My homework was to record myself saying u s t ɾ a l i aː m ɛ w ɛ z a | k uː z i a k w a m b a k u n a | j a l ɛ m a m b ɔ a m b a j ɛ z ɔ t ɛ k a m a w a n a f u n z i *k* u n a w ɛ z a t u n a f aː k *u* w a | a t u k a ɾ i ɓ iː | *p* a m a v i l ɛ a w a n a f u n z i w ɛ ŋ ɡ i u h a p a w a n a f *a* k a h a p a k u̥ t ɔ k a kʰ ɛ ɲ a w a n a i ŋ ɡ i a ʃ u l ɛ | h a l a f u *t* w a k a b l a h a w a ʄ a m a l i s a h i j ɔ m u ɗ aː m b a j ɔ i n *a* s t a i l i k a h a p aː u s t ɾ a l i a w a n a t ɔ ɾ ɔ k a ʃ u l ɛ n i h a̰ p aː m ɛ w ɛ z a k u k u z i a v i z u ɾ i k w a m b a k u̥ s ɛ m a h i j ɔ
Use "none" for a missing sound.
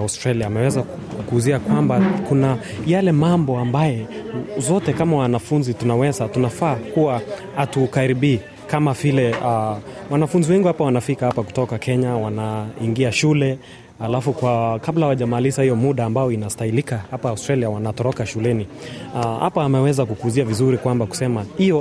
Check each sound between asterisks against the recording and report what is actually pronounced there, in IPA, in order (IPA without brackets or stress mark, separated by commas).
t, u, k, i, k, a